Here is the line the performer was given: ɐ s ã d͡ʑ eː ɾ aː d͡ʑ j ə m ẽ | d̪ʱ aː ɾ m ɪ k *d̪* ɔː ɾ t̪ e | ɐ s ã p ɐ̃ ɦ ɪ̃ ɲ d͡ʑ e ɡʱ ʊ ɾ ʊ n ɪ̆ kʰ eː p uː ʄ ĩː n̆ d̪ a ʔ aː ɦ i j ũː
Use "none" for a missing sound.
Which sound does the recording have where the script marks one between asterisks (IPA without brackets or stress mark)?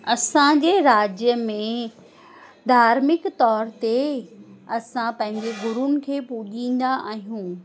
t̪